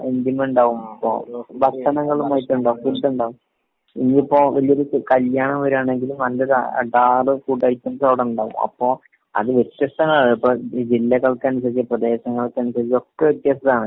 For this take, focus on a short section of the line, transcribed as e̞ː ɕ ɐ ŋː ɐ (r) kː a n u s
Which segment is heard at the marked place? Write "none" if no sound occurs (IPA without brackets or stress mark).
ɭ